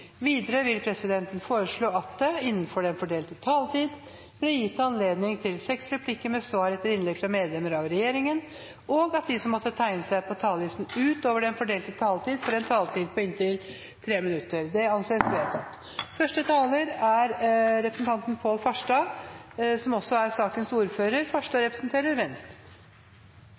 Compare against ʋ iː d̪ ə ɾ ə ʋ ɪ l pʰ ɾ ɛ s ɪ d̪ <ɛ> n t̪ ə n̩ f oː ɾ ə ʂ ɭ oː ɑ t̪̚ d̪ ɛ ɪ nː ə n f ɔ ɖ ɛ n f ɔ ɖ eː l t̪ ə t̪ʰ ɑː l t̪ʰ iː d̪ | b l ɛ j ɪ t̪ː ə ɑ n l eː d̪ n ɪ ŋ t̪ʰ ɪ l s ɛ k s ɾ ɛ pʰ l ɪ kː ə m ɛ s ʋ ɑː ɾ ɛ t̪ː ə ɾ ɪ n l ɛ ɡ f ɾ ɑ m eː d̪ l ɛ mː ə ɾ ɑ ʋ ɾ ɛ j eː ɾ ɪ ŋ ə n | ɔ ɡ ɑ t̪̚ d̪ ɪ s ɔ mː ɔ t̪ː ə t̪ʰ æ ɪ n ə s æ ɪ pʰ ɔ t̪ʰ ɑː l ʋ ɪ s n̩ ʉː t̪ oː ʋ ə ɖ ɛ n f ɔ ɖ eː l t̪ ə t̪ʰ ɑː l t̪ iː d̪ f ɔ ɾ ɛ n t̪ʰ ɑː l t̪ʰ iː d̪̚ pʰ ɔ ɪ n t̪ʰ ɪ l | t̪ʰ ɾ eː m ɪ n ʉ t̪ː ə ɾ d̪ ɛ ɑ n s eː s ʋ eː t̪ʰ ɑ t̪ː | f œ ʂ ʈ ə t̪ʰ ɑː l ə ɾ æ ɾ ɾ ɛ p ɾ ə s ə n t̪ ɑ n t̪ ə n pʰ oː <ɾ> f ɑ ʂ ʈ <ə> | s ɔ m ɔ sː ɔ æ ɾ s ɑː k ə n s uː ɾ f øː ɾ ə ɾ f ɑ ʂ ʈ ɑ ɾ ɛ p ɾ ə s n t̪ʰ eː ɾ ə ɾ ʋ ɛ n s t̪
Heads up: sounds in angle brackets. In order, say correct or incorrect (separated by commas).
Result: correct, incorrect, incorrect